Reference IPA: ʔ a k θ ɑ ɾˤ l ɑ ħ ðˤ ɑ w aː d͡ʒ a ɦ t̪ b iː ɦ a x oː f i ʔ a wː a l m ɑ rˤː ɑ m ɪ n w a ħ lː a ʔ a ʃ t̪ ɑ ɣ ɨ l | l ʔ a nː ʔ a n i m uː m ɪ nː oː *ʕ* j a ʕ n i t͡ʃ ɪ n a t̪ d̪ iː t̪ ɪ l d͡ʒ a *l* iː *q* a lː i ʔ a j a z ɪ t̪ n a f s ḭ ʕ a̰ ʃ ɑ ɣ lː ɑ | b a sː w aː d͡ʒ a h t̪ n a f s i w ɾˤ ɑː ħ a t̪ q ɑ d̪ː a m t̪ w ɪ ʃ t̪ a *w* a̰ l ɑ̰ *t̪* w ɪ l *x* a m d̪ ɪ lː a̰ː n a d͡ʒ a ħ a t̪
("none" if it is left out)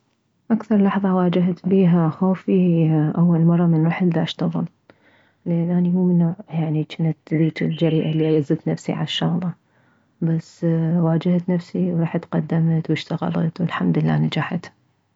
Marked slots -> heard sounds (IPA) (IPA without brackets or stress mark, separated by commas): ʕ, ɾ, ʔ, ɣ, t̪, ħ